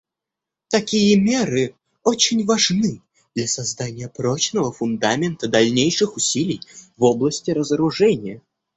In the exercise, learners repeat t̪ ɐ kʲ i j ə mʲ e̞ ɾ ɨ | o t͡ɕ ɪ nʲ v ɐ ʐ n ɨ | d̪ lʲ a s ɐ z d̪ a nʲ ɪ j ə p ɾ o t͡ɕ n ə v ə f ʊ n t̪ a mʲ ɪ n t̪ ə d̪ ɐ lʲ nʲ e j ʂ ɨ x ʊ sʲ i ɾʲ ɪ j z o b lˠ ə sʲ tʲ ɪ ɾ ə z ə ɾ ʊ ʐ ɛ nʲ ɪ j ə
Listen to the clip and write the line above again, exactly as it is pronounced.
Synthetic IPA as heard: t̪ ɐ kʲ i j ə mʲ e̞ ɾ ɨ | o t͡ɕ ɪ nʲ v ɐ ʐ n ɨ | d̪ lʲ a s ɐ z d̪ a nʲ ɪ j ə p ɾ o t͡ɕ n ə v ə f ʊ n d̪ a mʲ ɪ n t̪ ə d̪ ɐ lʲ nʲ e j ʂ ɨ x ʊ sʲ i lʲ ɪ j v o b lˠ ə sʲ tʲ ɪ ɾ ə z ə ɾ ʊ ʐ ɛ nʲ ɪ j ə